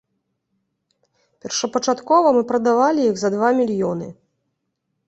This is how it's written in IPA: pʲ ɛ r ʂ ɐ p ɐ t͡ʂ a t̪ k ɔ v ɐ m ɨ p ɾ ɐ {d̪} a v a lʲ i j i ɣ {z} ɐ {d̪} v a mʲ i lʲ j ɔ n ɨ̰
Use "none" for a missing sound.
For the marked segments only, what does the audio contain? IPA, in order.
d̪, z, d̪

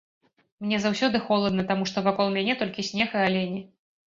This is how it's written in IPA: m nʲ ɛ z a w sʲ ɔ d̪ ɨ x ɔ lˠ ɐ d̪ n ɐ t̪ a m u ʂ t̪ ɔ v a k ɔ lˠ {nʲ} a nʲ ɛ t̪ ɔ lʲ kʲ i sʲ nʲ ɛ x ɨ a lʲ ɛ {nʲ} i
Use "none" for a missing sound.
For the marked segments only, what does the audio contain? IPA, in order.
mʲ, nʲ

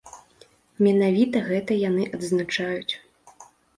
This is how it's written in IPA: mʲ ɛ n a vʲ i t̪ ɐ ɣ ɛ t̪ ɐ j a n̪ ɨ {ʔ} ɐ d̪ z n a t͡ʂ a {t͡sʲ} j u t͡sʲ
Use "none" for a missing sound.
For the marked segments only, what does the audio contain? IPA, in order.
ʔ, none

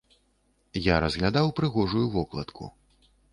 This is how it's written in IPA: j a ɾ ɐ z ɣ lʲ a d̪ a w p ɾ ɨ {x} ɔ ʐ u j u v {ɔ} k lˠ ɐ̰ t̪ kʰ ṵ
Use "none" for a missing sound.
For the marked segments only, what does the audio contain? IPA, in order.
ɣ, ɔ

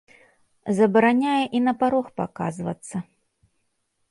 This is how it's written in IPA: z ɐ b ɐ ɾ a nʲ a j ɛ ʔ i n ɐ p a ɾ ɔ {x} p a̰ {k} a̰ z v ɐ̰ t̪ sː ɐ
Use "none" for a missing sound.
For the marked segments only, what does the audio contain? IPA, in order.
x, k

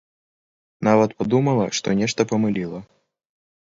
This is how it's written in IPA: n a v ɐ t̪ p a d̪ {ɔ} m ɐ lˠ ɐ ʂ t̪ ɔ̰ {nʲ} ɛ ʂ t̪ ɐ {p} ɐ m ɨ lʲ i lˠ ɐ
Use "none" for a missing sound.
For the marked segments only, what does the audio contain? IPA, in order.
u, nʲ, p

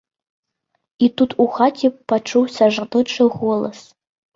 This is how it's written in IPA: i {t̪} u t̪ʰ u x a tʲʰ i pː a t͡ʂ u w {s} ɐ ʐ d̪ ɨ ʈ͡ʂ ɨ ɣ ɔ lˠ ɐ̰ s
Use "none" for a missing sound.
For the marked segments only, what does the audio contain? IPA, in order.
t̪, s

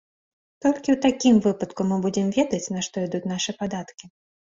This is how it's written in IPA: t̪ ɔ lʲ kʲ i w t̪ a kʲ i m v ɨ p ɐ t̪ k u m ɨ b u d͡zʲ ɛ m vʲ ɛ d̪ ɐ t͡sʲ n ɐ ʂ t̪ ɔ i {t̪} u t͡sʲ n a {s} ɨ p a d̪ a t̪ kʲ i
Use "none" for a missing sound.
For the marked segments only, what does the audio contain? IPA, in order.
d̪, ʂ

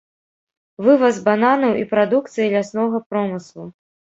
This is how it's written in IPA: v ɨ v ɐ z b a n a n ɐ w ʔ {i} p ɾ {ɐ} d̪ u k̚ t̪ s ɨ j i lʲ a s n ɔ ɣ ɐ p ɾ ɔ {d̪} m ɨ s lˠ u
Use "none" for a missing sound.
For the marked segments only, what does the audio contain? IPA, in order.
i, a, none

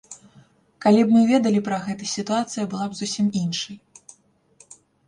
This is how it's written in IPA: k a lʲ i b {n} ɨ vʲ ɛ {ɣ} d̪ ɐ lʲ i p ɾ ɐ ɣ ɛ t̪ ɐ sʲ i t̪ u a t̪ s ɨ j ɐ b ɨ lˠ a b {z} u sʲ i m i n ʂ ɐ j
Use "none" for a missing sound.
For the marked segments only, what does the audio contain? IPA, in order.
m, none, z

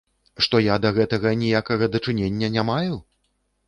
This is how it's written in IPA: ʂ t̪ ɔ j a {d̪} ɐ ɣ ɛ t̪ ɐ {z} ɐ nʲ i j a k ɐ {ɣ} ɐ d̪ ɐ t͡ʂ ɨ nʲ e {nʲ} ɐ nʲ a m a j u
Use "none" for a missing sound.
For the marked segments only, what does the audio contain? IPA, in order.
d̪, ɣ, ɣ, nʲː

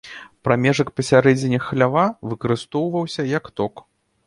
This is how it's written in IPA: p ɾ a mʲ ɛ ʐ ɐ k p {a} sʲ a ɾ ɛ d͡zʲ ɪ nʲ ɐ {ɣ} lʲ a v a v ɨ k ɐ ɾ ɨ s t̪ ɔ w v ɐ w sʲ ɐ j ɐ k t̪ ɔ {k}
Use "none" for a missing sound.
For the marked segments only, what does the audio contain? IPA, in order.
ɐ, x, k

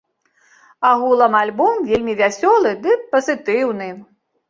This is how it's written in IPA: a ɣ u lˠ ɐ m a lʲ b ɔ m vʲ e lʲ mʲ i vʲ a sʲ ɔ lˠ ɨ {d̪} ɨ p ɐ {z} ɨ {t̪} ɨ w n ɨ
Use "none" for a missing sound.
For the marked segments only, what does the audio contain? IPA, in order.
d̪, z, t̪

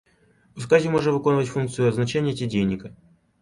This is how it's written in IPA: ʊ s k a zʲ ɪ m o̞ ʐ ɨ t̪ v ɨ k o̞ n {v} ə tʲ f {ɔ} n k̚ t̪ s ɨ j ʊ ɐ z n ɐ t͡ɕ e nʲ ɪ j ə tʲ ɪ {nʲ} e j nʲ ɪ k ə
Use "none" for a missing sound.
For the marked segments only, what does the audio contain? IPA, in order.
v, u, dʲ

